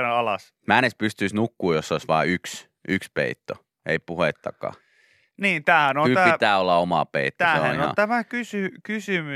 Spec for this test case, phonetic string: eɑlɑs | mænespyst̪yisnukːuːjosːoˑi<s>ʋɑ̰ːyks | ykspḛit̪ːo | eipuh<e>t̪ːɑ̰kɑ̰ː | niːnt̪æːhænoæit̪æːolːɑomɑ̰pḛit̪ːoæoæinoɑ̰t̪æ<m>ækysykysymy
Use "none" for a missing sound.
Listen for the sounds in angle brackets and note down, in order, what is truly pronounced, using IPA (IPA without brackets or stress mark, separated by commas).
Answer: s, e, m